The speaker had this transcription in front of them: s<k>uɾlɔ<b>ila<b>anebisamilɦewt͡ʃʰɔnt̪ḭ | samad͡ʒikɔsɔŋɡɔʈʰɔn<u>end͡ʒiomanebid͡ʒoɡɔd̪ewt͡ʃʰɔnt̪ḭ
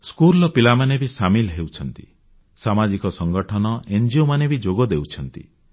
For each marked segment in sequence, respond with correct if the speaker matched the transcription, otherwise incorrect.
correct, incorrect, incorrect, incorrect

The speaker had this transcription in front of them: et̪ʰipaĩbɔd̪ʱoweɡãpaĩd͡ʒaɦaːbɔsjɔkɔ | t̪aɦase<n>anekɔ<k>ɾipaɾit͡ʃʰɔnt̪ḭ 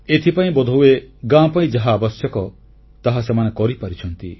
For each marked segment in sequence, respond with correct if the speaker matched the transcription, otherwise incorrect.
incorrect, incorrect

